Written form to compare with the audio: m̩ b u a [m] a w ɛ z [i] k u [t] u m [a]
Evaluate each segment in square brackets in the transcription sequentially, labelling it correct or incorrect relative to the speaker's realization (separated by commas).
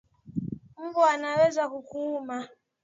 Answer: incorrect, incorrect, incorrect, correct